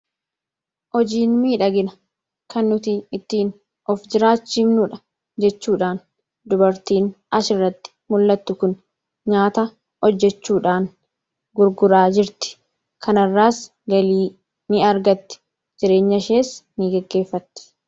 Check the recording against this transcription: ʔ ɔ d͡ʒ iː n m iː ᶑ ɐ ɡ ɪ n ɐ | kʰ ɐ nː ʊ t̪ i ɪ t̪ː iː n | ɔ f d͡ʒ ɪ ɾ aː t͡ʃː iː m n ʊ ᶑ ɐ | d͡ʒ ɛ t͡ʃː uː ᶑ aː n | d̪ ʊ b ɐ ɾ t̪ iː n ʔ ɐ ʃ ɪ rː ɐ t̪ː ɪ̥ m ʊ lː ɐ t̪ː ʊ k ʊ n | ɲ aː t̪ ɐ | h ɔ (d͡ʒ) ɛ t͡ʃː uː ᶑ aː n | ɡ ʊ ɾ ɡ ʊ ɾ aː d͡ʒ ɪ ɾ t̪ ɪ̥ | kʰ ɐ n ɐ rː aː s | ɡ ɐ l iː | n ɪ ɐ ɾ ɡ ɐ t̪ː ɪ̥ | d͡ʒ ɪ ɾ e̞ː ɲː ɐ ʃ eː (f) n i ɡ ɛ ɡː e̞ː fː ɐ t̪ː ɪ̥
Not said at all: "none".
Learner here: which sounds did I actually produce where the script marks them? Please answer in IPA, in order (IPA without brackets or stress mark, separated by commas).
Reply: d͡ʒː, s